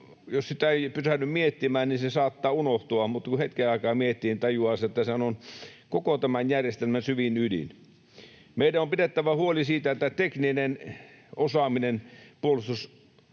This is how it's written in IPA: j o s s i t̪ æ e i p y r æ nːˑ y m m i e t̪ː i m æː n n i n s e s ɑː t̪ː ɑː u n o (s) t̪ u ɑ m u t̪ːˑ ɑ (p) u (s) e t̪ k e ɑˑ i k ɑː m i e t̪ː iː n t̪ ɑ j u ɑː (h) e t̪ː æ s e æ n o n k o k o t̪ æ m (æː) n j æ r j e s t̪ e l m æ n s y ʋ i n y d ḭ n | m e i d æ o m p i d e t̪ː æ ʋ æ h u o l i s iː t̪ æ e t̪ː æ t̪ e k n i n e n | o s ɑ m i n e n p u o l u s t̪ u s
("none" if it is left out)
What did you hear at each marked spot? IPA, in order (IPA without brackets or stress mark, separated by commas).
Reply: h, k, h, s, æ